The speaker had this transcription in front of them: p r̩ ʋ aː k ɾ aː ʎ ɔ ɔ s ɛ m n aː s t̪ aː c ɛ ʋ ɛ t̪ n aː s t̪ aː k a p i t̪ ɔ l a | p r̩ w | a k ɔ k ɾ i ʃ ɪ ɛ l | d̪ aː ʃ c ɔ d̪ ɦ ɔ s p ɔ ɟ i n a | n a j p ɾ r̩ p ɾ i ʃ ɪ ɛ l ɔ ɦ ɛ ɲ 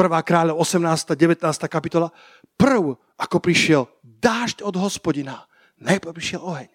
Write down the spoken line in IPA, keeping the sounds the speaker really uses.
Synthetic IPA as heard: p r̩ ʋ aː k ɾ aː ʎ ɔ ɔ s ɛ m n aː s t̪ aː ɟ ɛ ʋ ɛ t̪ n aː s t̪ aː k a p i t̪ ɔ l a | p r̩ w | a k ɔ p ɾ i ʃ ɪ ɛ l | d̪ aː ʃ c ɔ d̪ ɦ ɔ s p ɔ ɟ i n a | n a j p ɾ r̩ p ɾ i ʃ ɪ ɛ l ɔ ɦ ɛ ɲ